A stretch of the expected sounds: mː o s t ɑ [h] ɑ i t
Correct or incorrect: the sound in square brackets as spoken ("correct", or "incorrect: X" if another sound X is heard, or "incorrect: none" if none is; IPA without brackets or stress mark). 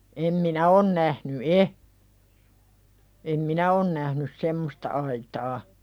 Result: incorrect: none